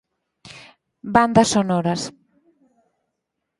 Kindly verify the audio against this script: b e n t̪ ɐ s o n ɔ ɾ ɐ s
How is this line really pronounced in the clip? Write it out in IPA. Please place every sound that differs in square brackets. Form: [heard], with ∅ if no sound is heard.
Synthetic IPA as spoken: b [a] n [d̪] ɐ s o n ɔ ɾ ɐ s